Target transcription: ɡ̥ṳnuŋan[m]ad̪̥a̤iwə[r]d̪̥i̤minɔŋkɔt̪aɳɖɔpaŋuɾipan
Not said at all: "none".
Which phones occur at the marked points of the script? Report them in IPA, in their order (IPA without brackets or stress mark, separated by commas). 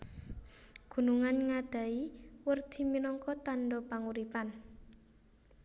ŋ, r